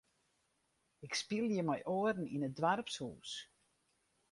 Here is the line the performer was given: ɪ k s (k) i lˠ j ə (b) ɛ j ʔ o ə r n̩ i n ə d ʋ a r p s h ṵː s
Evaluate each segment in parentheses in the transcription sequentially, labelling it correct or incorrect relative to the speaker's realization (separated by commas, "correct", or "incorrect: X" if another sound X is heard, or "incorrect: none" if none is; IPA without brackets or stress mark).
incorrect: p, incorrect: m